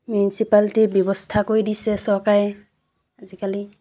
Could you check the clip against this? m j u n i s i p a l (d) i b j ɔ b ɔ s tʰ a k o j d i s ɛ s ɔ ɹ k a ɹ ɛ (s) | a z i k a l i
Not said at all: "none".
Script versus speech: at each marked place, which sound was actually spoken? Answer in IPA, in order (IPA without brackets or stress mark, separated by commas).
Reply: t, none